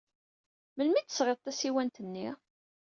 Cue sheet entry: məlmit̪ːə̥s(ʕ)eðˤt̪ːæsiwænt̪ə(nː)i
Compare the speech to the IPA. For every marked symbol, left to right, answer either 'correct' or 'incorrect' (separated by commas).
incorrect, correct